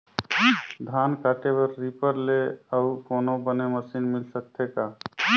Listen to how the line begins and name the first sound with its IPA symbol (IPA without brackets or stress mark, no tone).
d̪ʱ